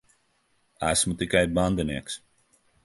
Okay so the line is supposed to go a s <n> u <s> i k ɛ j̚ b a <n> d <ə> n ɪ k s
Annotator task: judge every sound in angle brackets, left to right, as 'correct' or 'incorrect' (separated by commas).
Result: incorrect, incorrect, correct, correct